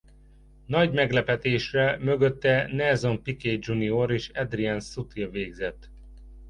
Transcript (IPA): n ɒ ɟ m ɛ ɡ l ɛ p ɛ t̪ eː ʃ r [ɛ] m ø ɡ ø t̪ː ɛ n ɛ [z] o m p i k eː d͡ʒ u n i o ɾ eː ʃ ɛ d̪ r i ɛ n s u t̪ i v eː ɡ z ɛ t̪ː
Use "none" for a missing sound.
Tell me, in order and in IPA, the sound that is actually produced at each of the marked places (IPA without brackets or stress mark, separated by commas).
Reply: ɛ, z